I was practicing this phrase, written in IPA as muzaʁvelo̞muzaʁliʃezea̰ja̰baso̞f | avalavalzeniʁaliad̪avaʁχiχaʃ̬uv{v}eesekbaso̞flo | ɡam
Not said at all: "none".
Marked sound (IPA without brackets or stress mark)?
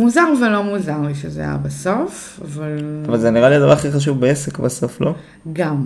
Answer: b